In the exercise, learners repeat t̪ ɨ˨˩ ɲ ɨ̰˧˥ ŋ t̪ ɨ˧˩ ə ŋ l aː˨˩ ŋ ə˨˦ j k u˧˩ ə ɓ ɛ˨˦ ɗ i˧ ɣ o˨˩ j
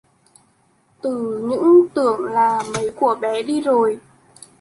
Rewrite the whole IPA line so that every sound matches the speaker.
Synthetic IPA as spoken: t̪ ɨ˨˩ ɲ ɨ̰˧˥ ŋ t̪ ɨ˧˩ ə ŋ l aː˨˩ m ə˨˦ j k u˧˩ ə ɓ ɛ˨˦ ɗ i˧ z o˨˩ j